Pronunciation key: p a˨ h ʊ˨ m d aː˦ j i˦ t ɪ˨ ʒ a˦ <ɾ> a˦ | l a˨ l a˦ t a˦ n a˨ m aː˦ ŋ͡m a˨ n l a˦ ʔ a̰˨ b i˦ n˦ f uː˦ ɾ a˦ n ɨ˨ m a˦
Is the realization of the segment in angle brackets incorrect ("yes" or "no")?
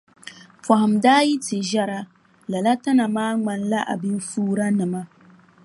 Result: no